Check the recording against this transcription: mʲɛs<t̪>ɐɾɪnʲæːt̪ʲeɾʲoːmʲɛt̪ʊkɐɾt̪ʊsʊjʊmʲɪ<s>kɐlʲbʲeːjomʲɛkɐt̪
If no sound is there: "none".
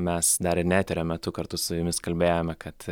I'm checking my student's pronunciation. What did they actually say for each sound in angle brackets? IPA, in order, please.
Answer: d̪, s

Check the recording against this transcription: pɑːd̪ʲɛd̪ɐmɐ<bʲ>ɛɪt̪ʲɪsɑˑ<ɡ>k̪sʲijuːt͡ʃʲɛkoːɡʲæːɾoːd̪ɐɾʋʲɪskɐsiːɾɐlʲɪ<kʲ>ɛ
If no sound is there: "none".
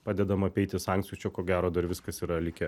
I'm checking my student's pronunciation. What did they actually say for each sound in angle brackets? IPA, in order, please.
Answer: pʲ, ŋ, kʲ

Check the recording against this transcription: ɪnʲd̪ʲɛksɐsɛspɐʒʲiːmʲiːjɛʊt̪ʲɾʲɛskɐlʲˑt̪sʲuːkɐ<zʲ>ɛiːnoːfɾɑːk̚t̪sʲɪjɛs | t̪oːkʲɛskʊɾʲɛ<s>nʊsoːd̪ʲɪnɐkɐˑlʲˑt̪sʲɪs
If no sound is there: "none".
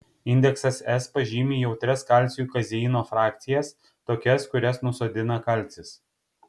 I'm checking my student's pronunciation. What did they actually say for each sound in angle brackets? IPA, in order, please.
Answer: zʲ, s

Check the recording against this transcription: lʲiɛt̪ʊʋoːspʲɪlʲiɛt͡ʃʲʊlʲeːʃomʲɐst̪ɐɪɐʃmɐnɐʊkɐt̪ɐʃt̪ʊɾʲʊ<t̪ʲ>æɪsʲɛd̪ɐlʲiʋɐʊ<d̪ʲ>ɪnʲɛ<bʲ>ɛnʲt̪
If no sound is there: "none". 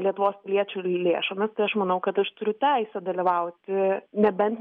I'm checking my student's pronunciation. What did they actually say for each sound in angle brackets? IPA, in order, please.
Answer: t̪ʲ, t̪ʲ, bʲ

